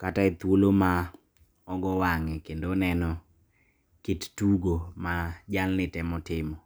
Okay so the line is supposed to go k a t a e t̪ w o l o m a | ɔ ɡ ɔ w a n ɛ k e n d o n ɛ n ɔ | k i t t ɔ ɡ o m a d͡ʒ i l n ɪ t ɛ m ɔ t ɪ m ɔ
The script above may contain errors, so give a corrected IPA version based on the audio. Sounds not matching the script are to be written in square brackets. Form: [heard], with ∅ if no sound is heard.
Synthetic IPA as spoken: k a t a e t̪ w o l o m a | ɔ ɡ ɔ w a [ŋ] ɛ k e n d o n ɛ n ɔ | k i t t [u] ɡ o m a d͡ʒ [a] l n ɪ t ɛ m ɔ t ɪ m ɔ